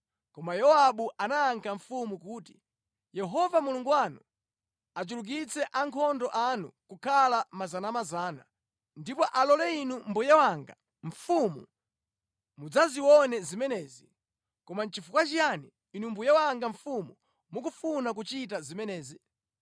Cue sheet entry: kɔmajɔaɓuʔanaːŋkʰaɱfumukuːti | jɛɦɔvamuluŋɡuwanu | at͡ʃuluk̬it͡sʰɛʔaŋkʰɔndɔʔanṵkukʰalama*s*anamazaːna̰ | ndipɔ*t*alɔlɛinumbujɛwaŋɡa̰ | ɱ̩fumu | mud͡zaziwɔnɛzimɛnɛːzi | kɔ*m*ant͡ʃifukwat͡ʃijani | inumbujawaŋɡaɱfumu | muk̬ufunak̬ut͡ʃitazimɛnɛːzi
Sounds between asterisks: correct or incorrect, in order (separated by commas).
incorrect, incorrect, correct